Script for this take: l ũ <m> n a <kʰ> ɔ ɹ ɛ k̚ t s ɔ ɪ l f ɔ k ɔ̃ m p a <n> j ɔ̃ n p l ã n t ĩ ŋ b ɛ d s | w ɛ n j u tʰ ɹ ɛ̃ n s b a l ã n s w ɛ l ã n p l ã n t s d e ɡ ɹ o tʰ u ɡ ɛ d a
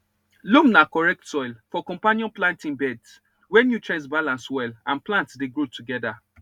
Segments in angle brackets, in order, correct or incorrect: correct, incorrect: k, correct

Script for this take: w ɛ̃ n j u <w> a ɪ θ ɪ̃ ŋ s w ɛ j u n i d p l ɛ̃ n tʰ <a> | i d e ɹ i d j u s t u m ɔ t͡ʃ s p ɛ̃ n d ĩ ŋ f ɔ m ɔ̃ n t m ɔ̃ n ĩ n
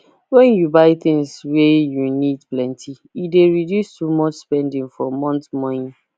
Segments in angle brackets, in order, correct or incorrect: incorrect: b, incorrect: i

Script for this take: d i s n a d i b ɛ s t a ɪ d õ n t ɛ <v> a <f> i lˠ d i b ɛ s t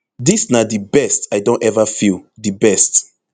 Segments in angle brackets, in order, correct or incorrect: correct, correct

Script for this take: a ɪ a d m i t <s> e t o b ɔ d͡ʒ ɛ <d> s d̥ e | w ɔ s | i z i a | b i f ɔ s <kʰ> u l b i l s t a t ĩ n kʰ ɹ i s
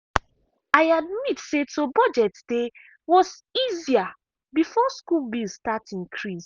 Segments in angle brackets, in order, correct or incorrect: correct, incorrect: t, incorrect: k

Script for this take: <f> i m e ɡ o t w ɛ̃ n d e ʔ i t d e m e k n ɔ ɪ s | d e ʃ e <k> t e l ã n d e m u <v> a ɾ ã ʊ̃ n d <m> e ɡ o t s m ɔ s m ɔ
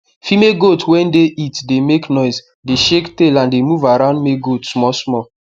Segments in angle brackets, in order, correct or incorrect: correct, correct, correct, correct

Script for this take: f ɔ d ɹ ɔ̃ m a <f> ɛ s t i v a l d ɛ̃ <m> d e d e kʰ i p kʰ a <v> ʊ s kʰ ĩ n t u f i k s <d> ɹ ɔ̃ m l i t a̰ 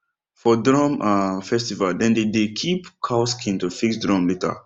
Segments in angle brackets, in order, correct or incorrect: correct, incorrect: n, incorrect: none, correct

